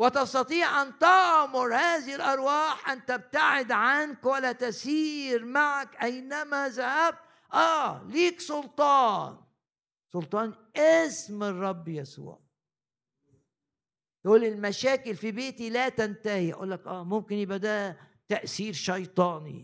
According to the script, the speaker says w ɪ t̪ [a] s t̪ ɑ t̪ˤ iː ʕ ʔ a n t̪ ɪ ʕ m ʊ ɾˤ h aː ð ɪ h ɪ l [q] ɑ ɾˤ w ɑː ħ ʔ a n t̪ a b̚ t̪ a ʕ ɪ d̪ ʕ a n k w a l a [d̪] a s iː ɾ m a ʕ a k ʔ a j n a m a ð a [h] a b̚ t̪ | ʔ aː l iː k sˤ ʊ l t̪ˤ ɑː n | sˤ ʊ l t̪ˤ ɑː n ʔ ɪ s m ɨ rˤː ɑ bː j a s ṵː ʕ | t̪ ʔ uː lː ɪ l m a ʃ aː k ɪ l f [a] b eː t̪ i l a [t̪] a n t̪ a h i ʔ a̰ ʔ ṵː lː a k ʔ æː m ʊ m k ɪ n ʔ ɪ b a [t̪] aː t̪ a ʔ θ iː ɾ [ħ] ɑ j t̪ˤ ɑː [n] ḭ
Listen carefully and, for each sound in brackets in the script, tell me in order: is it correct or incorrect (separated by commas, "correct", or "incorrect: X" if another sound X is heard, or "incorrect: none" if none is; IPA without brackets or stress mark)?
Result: incorrect: ɑ, incorrect: ʔ, incorrect: t̪, correct, incorrect: i, correct, incorrect: d̪, incorrect: ʃ, correct